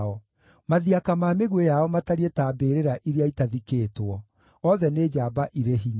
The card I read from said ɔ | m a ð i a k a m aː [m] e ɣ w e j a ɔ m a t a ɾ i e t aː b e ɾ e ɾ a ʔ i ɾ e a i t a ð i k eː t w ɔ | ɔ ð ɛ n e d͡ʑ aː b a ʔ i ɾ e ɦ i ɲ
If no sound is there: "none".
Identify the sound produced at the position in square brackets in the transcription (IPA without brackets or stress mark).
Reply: m